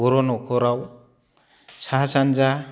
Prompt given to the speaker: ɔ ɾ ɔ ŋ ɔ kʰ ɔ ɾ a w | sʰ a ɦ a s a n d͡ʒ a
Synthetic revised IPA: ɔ ɾ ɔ n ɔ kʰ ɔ ɾ a w | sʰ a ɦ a s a n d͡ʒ a